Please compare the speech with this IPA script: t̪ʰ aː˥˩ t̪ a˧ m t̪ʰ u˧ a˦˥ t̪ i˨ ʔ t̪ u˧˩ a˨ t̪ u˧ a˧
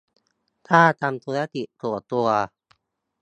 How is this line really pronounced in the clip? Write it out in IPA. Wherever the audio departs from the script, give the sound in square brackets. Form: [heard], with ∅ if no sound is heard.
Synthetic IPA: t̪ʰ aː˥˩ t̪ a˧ m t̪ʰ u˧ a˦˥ t̪ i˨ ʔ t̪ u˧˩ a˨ t̪ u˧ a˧